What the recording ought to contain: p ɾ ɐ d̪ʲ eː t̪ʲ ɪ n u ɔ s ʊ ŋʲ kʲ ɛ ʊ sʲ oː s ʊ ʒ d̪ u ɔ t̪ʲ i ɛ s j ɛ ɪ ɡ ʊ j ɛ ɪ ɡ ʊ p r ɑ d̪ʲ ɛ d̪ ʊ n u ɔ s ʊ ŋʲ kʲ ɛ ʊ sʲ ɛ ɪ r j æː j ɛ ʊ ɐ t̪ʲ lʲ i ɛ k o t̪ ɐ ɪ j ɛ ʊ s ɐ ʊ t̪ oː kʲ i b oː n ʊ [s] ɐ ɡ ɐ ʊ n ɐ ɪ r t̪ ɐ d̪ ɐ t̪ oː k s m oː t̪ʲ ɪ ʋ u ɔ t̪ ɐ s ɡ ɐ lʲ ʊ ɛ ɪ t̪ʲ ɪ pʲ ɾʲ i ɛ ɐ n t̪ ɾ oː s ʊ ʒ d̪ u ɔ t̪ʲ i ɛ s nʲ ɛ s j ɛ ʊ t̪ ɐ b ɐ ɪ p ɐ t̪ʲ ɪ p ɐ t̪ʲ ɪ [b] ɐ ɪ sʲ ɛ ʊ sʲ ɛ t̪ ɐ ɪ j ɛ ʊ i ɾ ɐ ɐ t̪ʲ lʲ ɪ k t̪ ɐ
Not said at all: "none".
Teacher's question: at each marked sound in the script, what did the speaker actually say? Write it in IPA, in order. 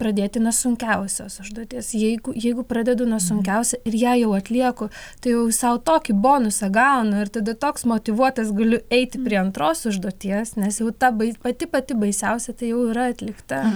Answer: s, b

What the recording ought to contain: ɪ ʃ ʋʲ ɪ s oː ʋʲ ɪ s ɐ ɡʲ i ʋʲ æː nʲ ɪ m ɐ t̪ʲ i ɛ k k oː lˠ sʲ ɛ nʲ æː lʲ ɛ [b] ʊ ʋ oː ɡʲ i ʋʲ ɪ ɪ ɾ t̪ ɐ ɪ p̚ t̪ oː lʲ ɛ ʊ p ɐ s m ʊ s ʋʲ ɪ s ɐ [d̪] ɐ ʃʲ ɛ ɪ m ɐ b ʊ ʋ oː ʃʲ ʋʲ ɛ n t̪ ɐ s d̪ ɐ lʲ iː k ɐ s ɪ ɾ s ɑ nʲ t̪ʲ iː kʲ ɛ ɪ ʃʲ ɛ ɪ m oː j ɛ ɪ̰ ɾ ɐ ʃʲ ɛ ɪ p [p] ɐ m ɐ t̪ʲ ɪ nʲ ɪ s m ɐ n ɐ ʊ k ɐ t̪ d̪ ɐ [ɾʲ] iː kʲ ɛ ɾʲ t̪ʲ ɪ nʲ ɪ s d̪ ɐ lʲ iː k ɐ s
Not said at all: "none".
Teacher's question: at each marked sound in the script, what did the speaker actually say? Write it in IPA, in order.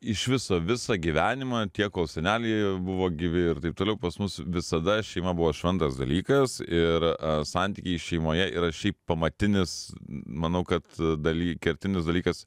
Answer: b, d̪, p, lʲ

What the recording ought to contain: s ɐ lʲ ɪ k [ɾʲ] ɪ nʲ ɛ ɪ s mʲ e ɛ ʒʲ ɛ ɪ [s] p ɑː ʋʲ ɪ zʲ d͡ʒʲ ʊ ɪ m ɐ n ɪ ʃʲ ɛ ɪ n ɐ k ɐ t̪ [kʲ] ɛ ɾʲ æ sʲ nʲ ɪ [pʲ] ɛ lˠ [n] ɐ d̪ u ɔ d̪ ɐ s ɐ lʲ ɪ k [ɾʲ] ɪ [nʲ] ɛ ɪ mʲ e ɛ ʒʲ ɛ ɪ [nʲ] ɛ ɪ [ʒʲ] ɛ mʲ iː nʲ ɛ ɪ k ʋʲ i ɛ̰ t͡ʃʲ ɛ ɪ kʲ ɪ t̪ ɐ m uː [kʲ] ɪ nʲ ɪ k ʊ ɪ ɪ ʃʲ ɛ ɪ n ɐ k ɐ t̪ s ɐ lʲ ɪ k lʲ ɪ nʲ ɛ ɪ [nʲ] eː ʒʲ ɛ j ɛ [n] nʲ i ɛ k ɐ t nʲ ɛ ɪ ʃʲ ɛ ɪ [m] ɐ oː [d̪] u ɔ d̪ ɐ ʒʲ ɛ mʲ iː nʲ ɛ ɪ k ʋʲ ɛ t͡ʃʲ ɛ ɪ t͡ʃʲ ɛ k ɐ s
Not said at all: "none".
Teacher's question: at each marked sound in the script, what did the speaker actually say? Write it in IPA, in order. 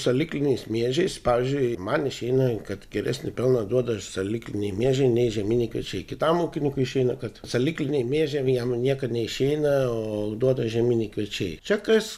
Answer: lʲ, s, ɡʲ, pʲ, n, lʲ, nʲ, nʲ, ʒʲ, kʲ, mʲ, m, n, d̪

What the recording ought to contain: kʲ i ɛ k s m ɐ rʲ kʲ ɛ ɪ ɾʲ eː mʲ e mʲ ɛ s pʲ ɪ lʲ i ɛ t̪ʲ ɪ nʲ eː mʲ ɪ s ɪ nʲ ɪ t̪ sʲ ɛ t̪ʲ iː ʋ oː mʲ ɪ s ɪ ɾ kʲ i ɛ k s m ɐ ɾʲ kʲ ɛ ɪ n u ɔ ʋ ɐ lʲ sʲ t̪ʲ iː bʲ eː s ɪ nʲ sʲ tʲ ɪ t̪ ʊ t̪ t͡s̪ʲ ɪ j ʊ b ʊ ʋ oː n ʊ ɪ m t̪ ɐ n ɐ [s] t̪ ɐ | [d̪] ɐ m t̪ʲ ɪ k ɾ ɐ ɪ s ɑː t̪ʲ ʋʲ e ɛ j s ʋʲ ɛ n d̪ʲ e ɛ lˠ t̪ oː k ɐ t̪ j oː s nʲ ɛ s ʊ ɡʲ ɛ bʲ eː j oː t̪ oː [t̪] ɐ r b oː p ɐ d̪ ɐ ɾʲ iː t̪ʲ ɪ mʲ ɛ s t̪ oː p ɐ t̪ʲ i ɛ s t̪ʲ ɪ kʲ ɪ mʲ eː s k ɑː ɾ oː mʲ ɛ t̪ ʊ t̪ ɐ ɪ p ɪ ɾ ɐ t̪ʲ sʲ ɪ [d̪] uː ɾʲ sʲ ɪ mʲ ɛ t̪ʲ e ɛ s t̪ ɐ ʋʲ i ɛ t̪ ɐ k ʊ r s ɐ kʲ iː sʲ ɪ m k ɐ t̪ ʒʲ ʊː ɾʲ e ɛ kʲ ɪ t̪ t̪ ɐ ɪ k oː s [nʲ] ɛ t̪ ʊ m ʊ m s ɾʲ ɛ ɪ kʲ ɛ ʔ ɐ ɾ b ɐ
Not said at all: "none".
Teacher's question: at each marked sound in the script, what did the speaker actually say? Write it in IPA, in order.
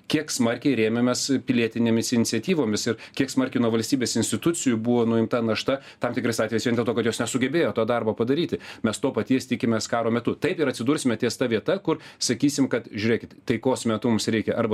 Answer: ʃ, t̪, d̪, d̪, mʲ

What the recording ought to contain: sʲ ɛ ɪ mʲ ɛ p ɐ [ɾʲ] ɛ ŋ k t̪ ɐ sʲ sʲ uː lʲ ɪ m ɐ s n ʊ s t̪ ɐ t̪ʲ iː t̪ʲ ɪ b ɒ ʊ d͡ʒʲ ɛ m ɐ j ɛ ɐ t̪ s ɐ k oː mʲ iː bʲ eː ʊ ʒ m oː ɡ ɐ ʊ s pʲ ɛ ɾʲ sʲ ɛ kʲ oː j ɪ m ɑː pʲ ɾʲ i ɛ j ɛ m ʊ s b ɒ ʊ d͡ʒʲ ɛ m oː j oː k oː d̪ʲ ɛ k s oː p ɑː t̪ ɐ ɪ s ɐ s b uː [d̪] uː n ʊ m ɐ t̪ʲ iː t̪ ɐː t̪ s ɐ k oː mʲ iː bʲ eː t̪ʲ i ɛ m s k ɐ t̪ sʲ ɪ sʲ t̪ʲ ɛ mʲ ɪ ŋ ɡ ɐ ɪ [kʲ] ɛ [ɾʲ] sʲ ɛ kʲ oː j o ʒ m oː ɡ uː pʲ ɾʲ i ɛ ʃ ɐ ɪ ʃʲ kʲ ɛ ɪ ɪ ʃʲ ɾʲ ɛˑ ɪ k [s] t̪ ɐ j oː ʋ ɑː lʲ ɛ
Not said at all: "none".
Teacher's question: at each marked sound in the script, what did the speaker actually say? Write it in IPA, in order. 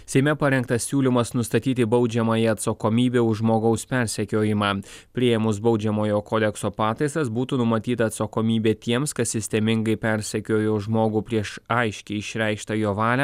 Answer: ɾʲ, t̪, pʲ, ɾʲ, ʃ

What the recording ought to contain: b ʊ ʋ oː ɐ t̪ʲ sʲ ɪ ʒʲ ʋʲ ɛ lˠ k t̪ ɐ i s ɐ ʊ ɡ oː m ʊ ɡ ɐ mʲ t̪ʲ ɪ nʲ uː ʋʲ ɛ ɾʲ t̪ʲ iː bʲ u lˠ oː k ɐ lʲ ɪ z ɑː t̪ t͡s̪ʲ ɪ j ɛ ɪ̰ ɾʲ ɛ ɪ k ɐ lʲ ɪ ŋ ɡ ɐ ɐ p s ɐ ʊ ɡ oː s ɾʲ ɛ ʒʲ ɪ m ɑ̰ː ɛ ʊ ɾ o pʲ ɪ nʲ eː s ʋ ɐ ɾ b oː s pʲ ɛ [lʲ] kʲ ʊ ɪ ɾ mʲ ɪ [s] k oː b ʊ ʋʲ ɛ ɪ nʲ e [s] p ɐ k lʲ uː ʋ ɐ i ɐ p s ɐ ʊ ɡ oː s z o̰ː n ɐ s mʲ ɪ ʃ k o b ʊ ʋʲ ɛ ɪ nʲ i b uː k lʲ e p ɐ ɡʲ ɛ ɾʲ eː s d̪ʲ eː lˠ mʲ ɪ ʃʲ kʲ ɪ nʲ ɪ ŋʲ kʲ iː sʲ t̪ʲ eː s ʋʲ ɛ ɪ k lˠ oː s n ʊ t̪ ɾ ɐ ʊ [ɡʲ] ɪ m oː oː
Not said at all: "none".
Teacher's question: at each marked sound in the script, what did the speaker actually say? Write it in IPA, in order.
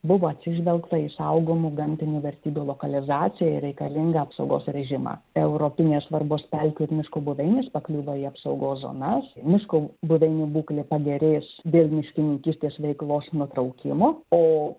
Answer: lʲ, ʃ, s, kʲ

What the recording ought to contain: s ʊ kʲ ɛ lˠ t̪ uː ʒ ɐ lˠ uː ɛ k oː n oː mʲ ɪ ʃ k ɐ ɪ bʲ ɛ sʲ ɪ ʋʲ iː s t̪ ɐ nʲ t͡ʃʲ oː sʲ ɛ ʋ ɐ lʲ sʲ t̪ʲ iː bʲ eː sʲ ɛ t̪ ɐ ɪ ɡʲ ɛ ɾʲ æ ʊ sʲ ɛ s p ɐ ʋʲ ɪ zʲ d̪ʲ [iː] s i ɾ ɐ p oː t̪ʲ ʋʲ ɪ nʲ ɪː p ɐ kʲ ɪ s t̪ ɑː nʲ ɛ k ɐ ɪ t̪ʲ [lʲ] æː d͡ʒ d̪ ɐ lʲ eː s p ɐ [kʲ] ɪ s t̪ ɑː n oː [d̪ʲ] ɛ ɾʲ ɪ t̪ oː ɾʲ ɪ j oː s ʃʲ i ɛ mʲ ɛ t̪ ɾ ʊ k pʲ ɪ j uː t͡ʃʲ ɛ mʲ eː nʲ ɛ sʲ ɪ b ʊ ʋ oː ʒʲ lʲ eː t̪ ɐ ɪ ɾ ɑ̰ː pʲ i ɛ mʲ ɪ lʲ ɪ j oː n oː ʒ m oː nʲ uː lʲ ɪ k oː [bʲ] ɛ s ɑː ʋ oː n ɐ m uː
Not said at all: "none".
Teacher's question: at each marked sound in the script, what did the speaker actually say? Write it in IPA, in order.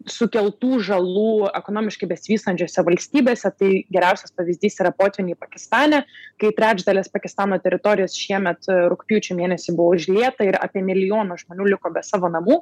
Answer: iː, ɾʲ, kʲ, t̪ʲ, bʲ

